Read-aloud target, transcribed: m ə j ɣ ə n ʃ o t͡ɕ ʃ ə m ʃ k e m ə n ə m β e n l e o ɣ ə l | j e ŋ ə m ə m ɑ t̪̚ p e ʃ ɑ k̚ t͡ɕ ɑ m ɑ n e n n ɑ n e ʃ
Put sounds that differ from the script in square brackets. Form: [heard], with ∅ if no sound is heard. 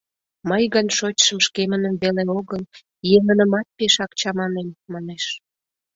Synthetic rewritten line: m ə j ɣ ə n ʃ o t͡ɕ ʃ ə m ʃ k e m ə n ə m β e [∅] l e o ɣ ə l | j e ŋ ə [n] ə m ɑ t̪̚ p e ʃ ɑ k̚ t͡ɕ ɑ m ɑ n e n [m] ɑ n e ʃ